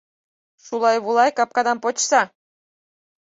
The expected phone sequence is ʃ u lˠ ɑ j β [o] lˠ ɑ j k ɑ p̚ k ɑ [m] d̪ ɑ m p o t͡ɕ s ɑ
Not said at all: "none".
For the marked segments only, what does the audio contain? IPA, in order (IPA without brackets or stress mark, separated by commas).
u, none